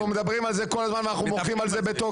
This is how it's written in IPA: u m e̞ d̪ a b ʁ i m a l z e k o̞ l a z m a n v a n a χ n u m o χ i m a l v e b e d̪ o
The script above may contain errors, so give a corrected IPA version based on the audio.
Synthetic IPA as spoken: u m e̞ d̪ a b ʁ i m a l z e k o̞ l a z m a n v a n a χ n u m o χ i m a l z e b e t̪ o